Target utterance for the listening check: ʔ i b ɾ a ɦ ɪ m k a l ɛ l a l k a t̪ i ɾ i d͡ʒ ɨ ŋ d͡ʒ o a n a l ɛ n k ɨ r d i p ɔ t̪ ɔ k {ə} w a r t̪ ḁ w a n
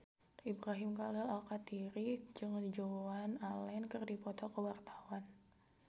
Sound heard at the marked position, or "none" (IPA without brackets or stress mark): ə